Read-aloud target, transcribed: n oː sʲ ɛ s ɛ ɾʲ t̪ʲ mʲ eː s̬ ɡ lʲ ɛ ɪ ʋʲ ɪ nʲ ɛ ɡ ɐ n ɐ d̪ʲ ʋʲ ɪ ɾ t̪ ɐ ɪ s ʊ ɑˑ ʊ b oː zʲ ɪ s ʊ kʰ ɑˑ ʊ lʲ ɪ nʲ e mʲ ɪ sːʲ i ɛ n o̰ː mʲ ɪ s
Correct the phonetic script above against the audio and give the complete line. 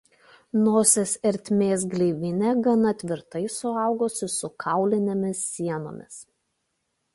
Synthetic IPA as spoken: n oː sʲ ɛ s ɛ ɾʲ t̪ʲ mʲ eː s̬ ɡ lʲ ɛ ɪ ʋʲ ɪ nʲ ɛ ɡ ɐ n ɐ t̪ʲ ʋʲ ɪ ɾ t̪ ɐ ɪ s ʊ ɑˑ ʊ ɡ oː sʲ ɪ s ʊ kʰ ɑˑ ʊ lʲ ɪ nʲ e mʲ ɪ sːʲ i ɛ n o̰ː mʲ ɪ s